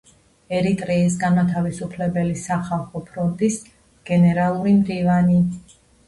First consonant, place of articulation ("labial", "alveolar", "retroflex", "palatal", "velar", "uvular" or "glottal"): alveolar